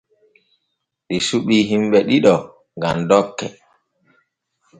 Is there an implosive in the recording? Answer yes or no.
yes